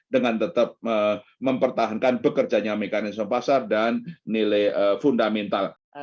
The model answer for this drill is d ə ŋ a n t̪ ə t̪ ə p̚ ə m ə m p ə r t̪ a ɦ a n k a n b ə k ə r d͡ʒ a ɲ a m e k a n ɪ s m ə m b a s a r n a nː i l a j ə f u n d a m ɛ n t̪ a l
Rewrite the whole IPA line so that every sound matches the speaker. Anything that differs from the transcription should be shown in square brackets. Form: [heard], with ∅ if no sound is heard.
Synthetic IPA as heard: d ə ŋ a n t̪ ə t̪ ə p̚ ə m ə m p ə r t̪ a ɦ a n k a n b ə k ə r d͡ʒ a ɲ a m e k a n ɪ s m ə m [p] a s a r [d] a nː i l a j ə f u n d a m ɛ n t̪ a l